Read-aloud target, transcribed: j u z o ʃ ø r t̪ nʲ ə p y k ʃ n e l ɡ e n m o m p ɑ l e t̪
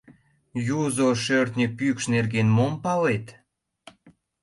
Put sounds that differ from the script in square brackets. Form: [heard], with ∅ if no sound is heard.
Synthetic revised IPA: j u z o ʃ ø r t̪ nʲ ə p y k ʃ n e [r] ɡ e n m o m p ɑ l e t̪